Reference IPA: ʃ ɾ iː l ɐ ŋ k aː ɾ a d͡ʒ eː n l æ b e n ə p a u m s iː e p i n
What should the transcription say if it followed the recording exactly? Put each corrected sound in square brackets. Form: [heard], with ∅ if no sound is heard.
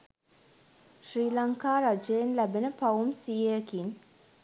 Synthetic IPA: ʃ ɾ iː l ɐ ŋ k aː ɾ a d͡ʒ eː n l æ b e n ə p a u m s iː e [k] i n